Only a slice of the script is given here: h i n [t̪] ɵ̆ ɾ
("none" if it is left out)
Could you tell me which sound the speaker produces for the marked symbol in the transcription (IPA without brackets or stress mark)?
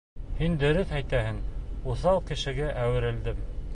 d̪